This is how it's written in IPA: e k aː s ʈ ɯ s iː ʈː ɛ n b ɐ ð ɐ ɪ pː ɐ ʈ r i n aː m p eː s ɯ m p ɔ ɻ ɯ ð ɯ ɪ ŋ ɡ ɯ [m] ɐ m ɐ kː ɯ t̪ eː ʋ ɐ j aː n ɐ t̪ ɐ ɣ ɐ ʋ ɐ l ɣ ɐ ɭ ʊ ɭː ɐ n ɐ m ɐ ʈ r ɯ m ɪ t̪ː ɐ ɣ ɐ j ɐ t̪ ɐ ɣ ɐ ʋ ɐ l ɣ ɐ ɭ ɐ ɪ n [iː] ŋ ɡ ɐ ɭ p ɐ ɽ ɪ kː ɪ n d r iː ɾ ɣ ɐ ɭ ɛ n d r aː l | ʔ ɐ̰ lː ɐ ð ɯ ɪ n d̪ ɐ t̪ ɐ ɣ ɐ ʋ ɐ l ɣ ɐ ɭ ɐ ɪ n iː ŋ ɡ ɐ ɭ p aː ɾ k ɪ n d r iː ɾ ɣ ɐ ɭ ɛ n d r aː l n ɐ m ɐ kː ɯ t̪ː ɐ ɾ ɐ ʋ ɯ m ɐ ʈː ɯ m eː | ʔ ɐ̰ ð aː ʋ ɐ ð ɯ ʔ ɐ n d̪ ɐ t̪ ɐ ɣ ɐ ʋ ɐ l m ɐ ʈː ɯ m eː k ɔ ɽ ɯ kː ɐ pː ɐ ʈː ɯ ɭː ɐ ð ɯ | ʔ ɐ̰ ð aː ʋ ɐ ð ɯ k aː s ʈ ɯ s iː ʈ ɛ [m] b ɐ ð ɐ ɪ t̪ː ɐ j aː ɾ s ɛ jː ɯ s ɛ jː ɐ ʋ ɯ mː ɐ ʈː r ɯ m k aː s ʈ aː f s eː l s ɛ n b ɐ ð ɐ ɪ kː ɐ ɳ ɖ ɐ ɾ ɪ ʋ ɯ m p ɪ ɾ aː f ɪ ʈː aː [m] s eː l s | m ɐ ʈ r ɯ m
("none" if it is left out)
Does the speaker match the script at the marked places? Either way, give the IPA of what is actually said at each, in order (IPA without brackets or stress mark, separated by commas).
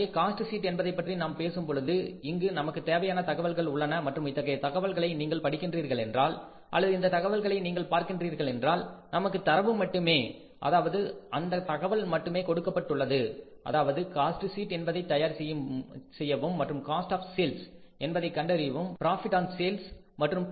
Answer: n, iː, n, n